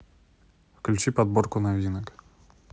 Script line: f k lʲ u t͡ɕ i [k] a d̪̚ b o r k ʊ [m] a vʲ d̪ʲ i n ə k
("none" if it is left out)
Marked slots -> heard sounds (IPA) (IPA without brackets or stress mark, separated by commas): p, n